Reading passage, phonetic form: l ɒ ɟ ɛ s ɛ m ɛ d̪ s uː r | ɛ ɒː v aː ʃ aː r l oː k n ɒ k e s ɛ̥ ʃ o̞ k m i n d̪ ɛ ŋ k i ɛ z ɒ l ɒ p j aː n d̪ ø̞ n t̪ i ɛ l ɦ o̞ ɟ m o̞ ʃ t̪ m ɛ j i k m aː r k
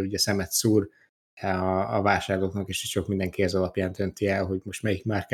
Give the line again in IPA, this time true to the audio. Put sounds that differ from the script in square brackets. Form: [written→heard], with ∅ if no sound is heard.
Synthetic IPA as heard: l [ɒ→u] ɟ ɛ s ɛ m ɛ [d̪→t̪] s uː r | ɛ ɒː v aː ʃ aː r l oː k n ɒ k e [s→ʃ] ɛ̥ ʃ o̞ k m i n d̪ ɛ ŋ k i ɛ z ɒ l ɒ p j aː n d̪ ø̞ n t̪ i ɛ l ɦ o̞ ɟ m o̞ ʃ t̪ m ɛ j i k m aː r k